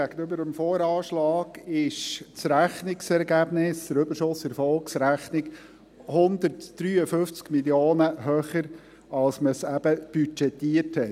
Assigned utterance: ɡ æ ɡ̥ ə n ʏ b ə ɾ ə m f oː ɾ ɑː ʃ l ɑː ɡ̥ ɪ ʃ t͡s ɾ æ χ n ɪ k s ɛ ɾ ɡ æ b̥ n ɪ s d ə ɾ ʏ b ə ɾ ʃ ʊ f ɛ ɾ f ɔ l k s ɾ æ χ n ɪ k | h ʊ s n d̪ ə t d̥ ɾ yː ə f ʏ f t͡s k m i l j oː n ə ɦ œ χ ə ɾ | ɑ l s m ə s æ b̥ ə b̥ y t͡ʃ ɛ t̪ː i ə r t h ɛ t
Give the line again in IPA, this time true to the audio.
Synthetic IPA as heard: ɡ æ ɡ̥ ə n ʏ b ə ɾ ə m f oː ɾ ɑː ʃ l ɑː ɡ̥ ɪ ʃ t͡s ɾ æ χ n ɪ k s ɛ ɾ ɡ æ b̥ n ɪ s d ə ɾ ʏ b ə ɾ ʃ ʊ s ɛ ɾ f ɔ l k s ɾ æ χ n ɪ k | h ʊ n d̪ ə t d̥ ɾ yː ə f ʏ f t͡s k m i l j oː n ə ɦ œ χ ə ɾ | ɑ l s m ə s æ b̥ ə b̥ y t͡ʃ ɛ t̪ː i ə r t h ɛ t